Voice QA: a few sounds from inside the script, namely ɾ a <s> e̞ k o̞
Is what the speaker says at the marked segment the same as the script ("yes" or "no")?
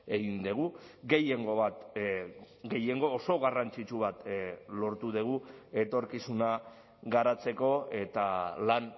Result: no